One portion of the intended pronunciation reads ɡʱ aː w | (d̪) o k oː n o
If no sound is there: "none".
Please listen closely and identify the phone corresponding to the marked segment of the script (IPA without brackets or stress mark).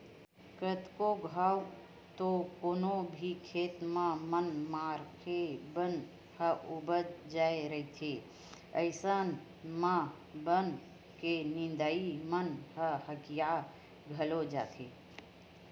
t̪